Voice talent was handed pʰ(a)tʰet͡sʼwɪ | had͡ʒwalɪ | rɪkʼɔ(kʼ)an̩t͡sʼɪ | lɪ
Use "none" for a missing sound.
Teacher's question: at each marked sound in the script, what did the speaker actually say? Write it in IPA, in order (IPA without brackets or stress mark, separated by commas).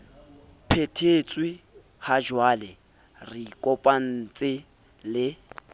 e, pʼ